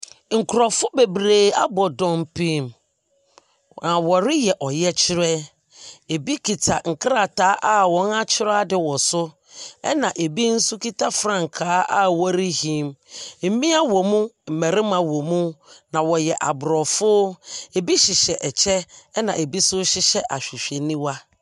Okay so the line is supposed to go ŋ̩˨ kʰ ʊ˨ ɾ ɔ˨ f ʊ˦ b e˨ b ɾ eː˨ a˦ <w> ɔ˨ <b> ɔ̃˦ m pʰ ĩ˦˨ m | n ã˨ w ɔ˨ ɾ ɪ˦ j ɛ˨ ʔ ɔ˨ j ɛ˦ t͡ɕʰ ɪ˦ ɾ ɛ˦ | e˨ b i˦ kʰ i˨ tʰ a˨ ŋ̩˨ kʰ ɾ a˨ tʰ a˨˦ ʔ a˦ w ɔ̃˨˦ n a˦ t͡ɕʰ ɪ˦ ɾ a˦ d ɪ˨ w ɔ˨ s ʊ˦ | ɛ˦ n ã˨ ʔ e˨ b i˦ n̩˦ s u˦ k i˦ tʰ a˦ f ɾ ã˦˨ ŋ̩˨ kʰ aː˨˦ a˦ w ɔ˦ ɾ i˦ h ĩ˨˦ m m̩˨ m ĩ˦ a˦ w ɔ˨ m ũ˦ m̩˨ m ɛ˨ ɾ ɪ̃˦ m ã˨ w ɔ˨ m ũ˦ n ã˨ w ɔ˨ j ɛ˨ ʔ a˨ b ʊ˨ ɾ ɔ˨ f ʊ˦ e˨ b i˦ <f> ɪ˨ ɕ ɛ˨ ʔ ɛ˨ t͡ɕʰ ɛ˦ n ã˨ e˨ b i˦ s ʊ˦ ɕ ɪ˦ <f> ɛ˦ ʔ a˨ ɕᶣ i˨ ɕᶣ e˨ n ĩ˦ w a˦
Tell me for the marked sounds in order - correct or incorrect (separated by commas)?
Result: incorrect, incorrect, incorrect, incorrect